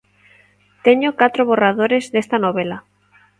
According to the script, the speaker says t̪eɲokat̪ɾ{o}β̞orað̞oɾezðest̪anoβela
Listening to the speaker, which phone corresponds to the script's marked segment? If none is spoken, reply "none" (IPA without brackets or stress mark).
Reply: o